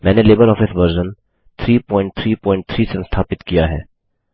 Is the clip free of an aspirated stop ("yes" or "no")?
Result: no